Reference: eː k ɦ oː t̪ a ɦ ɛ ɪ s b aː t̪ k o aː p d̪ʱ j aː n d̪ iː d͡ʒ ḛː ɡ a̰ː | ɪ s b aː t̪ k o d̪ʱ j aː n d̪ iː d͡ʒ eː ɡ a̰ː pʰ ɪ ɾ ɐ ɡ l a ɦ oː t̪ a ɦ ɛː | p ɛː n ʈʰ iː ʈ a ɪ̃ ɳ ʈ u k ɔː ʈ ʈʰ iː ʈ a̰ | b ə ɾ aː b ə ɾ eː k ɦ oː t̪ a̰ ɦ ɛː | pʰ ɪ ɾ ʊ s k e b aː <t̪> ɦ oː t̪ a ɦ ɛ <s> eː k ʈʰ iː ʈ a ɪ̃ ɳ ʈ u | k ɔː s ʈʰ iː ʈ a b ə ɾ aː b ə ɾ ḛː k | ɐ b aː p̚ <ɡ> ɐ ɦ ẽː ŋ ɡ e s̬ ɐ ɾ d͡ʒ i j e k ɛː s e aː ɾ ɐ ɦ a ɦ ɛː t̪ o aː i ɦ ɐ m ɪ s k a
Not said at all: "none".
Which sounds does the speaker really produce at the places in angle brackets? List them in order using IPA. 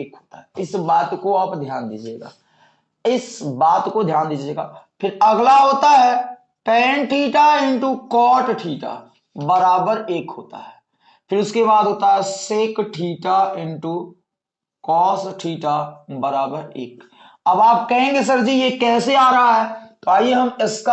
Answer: d̪, s, k

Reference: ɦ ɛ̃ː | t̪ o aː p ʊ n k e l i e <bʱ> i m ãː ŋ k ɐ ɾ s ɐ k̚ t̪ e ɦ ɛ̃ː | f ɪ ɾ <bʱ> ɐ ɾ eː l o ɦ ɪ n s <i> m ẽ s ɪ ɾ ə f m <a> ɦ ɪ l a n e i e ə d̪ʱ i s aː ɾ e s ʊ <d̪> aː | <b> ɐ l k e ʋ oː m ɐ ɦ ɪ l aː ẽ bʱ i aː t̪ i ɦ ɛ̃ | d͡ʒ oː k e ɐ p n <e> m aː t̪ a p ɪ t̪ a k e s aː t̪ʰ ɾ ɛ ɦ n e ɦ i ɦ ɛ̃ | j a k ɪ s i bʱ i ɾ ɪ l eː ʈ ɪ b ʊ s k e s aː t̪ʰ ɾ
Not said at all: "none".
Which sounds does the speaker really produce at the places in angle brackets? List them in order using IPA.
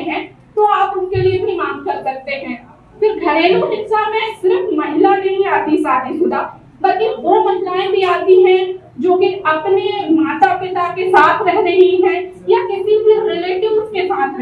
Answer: bʱ, ɡʱ, a, ɐ, d̪, b, e

